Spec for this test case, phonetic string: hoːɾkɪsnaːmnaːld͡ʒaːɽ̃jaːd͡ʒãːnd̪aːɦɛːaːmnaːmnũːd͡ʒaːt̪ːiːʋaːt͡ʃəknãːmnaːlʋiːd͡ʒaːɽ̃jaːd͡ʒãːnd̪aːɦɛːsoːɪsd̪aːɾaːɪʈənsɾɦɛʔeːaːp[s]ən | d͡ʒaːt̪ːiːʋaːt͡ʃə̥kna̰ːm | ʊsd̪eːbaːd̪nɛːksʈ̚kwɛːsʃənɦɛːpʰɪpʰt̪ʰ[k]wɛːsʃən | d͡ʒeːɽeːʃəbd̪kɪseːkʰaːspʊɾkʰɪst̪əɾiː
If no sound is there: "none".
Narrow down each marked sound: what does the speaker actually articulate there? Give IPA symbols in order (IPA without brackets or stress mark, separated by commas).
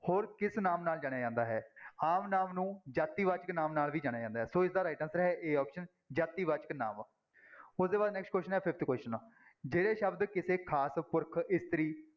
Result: ʃ, k